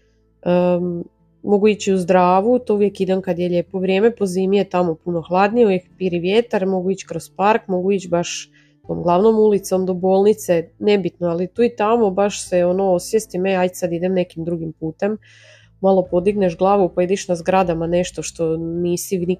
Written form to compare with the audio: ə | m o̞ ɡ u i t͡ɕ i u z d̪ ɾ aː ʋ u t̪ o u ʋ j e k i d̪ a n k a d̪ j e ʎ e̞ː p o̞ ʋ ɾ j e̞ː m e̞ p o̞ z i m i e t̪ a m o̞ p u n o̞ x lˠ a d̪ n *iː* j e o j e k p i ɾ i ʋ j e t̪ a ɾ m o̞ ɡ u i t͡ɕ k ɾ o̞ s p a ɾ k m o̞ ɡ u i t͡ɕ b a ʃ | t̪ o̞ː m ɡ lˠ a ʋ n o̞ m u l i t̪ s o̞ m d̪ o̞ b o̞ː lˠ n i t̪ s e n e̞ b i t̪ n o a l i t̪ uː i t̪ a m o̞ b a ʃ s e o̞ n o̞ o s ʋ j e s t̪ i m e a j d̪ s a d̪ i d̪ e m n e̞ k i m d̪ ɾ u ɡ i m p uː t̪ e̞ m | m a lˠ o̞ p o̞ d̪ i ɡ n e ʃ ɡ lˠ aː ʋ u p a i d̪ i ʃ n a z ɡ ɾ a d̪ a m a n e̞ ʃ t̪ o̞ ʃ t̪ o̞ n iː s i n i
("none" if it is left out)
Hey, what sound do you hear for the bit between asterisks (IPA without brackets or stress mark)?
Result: i